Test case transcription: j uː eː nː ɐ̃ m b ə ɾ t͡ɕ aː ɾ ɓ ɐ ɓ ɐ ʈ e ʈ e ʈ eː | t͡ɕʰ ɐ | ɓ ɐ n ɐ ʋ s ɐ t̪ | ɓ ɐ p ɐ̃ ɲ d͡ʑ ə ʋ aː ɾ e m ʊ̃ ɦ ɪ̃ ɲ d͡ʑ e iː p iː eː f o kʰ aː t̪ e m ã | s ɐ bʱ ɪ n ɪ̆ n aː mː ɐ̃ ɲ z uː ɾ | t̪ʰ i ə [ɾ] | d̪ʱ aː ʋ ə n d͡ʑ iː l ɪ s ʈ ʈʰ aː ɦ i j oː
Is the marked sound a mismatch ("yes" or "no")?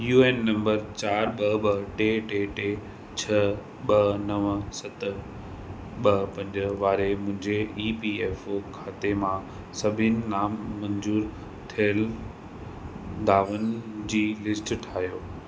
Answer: yes